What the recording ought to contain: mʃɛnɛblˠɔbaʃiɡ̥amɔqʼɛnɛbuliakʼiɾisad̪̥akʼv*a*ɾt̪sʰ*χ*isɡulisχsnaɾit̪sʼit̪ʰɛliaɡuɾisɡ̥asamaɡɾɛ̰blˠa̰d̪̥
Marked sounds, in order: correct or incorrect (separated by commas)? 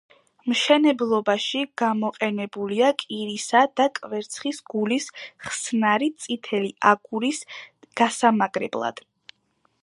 incorrect, correct